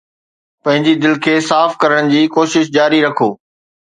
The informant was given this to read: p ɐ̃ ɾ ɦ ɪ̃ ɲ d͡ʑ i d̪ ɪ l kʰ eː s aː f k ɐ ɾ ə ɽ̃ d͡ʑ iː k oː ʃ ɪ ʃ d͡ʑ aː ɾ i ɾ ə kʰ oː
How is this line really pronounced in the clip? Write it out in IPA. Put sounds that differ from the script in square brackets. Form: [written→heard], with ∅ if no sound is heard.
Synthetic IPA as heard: p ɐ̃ [ɾ→∅] ɦ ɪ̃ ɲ d͡ʑ i d̪ ɪ l kʰ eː s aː f k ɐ ɾ ə ɽ̃ d͡ʑ iː k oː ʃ ɪ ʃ d͡ʑ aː ɾ i ɾ [ə→ɐ] kʰ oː

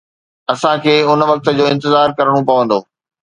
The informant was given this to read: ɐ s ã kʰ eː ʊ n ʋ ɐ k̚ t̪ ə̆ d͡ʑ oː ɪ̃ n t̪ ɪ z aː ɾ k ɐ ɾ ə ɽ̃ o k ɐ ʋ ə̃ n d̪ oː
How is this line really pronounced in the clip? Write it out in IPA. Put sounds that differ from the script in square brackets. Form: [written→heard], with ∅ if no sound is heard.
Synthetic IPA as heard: ɐ s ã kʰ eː ʊ n ʋ ɐ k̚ t̪ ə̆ d͡ʑ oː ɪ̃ n t̪ ɪ z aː ɾ k ɐ ɾ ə ɽ̃ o [k→p] ɐ ʋ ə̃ n d̪ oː

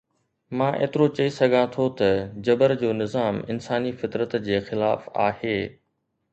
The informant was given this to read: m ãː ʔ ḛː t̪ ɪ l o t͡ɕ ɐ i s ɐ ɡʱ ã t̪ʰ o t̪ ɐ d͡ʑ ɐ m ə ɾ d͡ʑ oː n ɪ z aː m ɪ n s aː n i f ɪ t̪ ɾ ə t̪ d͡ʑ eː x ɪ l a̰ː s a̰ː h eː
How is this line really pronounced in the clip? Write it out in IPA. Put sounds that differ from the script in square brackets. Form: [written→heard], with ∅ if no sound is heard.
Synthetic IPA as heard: m ãː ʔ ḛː t̪ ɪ [l→ɾ] o t͡ɕ ɐ i s ɐ ɡʱ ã t̪ʰ o t̪ ɐ d͡ʑ ɐ [m→b] ə ɾ d͡ʑ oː n ɪ z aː m ɪ n s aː n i f ɪ t̪ ɾ ə t̪ d͡ʑ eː x ɪ l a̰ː [s→f] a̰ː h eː

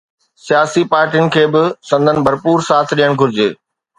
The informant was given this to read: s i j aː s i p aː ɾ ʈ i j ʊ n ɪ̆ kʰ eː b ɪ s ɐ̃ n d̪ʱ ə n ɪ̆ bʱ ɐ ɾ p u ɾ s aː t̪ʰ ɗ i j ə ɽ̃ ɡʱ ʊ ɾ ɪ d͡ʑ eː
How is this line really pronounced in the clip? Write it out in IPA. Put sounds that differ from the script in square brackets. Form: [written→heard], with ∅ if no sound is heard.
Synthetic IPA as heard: s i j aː s i p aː ɾ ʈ i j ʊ n ɪ̆ kʰ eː b ɪ s ɐ̃ n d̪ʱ ə n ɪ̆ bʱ ɐ ɾ p [u→uː] ɾ s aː t̪ʰ ɗ i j ə ɽ̃ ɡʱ ʊ ɾ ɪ d͡ʑ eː

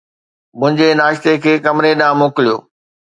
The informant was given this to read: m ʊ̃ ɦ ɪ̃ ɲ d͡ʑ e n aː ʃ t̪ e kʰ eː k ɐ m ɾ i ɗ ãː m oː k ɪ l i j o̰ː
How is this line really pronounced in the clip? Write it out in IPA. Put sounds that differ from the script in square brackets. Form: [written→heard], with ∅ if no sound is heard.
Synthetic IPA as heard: m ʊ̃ ɦ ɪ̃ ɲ d͡ʑ e n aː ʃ t̪ e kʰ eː k ɐ m ɾ [i→e] ɗ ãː m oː k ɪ l i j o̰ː

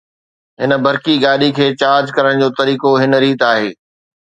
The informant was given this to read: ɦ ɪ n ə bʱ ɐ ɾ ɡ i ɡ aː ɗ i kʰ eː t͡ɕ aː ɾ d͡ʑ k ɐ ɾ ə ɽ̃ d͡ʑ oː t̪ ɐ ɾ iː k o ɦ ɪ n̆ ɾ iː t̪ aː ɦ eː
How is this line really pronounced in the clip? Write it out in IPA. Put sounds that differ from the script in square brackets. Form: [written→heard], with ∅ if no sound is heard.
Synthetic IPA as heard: ɦ ɪ n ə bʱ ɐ ɾ [ɡ→k] i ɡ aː ɗ i kʰ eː t͡ɕ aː ɾ d͡ʑ k ɐ ɾ ə ɽ̃ d͡ʑ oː t̪ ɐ ɾ iː k o ɦ ɪ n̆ ɾ iː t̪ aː ɦ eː

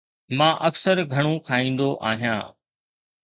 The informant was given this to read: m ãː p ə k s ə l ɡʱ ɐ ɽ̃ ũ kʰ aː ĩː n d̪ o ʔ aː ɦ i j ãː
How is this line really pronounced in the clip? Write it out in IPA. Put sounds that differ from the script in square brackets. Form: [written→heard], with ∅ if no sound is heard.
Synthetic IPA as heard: m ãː [p→ʔ] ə k s ə [l→ɾ] ɡʱ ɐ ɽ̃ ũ kʰ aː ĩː n d̪ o ʔ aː ɦ i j ãː

